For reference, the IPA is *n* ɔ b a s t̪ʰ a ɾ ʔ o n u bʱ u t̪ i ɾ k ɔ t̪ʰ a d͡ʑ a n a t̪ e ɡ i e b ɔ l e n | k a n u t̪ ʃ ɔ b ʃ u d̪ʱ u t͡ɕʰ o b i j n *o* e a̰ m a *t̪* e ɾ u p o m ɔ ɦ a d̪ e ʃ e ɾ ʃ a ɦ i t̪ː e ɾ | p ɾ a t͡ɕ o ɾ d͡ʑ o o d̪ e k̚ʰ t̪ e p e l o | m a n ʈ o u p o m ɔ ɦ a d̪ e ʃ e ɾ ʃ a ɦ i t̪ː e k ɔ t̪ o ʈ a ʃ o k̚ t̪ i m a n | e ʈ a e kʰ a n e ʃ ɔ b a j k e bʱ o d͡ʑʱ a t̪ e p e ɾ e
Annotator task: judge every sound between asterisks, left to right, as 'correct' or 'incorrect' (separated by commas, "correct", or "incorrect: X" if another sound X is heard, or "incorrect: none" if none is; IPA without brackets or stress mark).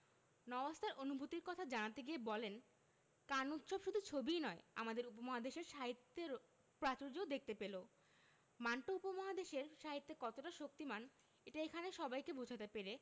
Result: correct, incorrect: ɔ, incorrect: d̪